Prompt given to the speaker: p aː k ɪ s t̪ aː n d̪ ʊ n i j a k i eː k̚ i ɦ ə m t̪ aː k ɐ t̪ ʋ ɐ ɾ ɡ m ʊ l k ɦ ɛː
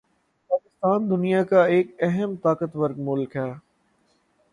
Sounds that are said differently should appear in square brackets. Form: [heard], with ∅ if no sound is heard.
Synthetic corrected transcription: p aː k ɪ s t̪ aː n d̪ ʊ n i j a k [a] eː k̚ [ɛ] ɦ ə m t̪ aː k [ə] t̪ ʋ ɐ ɾ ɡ m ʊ l k ɦ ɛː